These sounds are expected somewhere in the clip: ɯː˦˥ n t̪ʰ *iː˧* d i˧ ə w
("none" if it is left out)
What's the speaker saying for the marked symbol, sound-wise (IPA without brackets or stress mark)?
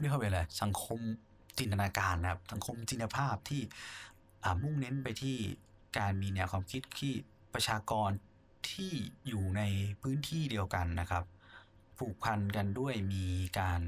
iː˥˩